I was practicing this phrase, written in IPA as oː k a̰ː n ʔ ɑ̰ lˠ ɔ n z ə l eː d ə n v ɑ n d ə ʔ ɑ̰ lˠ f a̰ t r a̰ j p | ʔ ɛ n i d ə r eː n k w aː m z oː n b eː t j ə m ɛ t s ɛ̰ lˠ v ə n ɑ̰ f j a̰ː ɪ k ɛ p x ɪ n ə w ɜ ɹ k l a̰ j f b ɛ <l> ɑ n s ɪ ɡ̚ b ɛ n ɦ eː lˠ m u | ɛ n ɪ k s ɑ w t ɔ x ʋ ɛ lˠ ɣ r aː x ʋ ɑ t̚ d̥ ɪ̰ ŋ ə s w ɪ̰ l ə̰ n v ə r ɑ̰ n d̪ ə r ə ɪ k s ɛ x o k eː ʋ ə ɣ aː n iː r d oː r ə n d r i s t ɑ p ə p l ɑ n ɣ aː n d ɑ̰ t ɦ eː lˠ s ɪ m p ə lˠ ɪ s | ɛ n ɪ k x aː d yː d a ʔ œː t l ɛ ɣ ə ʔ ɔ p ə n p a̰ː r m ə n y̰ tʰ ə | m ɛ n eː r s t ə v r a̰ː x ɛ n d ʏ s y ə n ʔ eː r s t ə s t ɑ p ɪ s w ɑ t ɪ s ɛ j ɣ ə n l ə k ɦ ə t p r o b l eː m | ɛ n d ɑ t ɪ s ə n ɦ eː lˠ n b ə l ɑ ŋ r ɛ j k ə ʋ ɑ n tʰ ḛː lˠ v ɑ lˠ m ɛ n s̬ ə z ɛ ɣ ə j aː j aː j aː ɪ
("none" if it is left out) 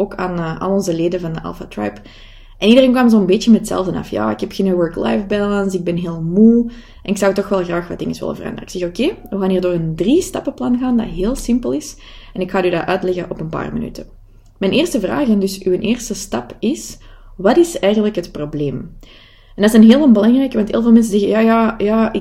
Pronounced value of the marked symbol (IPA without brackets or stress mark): l